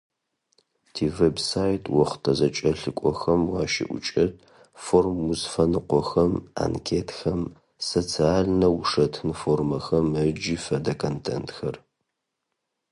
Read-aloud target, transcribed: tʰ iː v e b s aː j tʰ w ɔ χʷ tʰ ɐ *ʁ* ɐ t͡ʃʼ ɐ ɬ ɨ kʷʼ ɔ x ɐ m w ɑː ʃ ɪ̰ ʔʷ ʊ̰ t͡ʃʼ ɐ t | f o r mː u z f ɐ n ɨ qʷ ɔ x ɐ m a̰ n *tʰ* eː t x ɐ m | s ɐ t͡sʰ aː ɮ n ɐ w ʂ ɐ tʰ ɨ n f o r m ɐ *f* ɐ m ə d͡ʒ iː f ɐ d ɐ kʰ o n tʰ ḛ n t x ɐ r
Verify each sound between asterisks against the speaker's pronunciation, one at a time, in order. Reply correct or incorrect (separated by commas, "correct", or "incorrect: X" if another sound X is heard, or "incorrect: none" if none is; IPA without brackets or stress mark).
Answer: incorrect: z, incorrect: kʰ, incorrect: x